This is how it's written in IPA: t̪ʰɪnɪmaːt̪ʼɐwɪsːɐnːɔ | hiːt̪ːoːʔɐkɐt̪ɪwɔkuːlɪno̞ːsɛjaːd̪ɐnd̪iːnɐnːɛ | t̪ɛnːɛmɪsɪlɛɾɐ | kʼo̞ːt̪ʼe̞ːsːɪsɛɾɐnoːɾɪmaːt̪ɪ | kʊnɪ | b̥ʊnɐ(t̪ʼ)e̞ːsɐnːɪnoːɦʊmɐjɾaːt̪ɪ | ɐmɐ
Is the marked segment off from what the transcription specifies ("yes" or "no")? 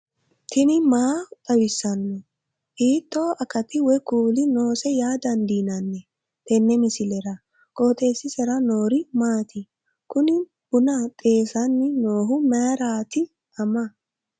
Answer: no